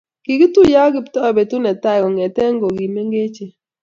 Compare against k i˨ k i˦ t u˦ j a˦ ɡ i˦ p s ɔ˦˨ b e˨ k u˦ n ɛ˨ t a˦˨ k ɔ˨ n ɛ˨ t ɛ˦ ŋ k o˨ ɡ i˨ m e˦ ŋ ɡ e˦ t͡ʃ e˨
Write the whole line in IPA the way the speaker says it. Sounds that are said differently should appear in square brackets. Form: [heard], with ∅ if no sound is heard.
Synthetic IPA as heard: k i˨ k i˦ t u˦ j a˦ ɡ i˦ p [t] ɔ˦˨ b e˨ [t] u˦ n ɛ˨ t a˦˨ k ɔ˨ [ŋ] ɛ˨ t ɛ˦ ŋ [ɡ] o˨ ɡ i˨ m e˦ ŋ ɡ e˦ t͡ʃ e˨